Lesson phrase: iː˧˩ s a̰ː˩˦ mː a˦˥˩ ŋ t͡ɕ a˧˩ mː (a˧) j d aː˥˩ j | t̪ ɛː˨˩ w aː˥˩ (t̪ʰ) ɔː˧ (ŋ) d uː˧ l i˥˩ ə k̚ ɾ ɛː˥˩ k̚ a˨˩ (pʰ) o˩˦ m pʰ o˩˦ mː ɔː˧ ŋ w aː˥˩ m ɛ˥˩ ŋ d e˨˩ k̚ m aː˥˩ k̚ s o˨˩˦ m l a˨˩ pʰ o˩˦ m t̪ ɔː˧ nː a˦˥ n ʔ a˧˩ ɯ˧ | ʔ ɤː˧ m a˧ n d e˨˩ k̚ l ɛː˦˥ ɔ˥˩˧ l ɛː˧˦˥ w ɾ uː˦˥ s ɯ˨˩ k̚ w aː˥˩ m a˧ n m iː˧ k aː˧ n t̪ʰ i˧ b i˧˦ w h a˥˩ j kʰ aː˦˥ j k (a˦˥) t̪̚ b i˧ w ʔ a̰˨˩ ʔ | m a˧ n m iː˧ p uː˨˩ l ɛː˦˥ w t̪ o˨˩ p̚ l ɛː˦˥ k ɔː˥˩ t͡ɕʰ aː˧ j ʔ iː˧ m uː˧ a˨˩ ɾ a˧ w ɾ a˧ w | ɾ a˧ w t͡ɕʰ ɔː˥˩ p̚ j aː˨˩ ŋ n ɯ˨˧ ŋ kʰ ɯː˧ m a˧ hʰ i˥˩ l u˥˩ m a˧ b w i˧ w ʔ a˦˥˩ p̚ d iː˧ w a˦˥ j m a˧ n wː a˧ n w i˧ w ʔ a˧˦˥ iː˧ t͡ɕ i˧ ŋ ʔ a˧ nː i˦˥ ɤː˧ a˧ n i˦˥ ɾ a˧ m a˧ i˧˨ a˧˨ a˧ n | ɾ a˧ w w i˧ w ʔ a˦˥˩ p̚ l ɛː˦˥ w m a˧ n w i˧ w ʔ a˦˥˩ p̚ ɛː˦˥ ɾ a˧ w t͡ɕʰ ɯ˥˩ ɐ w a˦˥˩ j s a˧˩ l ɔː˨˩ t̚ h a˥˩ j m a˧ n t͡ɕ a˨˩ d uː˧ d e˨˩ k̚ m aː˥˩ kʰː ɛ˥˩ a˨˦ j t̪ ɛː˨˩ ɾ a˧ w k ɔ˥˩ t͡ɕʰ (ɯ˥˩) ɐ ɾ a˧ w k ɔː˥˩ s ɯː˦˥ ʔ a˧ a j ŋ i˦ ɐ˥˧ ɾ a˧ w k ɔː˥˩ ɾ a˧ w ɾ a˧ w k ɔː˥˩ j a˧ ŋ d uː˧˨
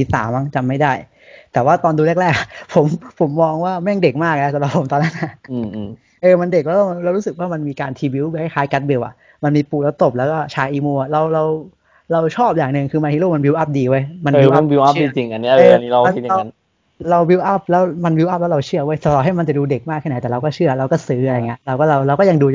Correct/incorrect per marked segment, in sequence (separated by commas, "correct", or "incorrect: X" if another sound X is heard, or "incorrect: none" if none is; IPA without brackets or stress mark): incorrect: a˥˩, incorrect: t̪, incorrect: n, correct, correct, correct